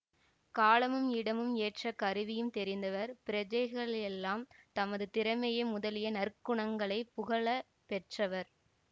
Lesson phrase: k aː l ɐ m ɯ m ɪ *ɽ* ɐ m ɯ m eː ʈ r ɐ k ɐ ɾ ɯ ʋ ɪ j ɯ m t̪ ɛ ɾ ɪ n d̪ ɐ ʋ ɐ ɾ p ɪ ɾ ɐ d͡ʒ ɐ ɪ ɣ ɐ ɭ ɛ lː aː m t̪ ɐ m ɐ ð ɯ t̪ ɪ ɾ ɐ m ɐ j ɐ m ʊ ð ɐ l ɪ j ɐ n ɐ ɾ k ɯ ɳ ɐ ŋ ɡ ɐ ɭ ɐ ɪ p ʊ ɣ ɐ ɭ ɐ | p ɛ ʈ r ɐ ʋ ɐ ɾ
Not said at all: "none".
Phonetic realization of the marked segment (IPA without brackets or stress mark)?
ɽ